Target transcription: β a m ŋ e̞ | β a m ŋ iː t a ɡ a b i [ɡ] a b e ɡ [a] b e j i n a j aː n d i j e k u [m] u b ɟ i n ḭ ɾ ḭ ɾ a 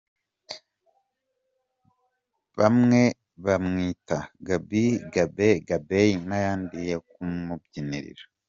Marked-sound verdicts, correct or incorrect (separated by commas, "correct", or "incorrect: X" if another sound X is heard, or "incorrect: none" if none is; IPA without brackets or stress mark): correct, correct, correct